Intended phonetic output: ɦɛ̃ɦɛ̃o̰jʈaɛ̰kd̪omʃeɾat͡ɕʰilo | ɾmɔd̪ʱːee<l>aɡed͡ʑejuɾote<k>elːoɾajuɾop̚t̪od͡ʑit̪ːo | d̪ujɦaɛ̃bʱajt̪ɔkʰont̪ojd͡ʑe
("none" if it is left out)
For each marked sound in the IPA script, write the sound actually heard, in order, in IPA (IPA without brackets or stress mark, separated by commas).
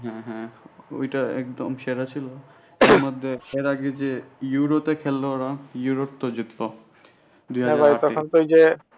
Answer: ɾ, kʰ